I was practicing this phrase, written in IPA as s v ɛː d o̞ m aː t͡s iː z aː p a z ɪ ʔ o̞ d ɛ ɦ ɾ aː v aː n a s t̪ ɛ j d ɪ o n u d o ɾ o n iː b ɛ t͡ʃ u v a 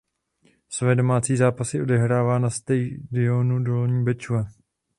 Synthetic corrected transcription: s v ɛː d o̞ m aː t͡s iː z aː p a s ɪ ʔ o̞ d ɛ ɦ ɾ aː v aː n a s t̪ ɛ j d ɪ o n u d o l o ɲ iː b ɛ t͡ʃ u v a